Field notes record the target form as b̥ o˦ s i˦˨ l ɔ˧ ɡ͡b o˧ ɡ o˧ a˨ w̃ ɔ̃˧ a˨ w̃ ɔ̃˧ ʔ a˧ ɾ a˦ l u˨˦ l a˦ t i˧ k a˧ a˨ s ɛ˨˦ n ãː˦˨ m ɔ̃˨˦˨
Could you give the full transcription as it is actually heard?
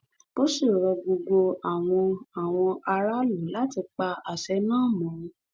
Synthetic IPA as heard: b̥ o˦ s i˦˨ ɾ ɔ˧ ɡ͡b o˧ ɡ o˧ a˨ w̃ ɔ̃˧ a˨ w̃ ɔ̃˧ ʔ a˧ ɾ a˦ l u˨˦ l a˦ t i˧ k͡p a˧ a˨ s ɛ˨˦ n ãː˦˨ m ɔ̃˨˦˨